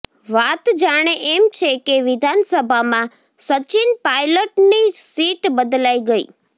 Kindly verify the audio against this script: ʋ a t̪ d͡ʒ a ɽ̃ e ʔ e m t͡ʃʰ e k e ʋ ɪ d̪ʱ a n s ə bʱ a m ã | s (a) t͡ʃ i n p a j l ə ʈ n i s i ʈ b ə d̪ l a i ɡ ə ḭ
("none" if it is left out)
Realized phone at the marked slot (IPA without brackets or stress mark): ə